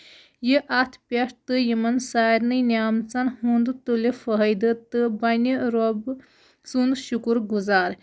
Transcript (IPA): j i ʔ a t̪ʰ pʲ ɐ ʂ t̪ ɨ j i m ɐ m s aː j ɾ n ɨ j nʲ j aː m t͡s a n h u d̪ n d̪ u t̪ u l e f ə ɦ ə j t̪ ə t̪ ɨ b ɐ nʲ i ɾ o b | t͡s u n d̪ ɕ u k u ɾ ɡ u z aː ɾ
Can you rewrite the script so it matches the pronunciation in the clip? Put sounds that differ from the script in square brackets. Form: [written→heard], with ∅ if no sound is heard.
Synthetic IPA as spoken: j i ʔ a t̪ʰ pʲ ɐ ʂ t̪ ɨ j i m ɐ [m→n] s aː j ɾ n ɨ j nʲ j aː m t͡s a n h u [d̪→∅] n d̪ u t̪ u l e f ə ɦ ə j [t̪→d̪] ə t̪ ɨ b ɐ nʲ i ɾ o b | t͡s u n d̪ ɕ u k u ɾ ɡ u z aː ɾ